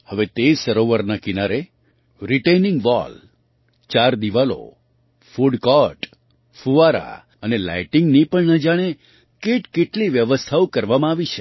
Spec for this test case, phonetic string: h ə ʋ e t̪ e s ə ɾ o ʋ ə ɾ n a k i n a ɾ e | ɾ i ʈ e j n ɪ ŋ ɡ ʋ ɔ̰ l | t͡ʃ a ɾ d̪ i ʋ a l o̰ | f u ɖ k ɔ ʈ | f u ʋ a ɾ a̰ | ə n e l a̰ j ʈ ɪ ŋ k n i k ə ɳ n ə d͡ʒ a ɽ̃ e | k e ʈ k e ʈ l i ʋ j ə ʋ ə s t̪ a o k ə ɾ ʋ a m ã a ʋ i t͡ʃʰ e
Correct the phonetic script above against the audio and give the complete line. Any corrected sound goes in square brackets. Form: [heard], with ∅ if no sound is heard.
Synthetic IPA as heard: h ə ʋ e t̪ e s ə ɾ o ʋ ə ɾ n a k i n a ɾ e | ɾ i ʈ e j n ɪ ŋ ɡ ʋ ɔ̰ l | t͡ʃ a ɾ d̪ i ʋ a l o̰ | f u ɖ k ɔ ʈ | f u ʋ a ɾ a̰ | ə n e l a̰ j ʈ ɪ ŋ [ɡ] n i [p] ə ɳ n ə d͡ʒ a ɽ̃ e | k e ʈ k e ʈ l i ʋ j ə ʋ ə s [t̪ʰ] a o k ə ɾ ʋ a m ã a ʋ i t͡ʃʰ e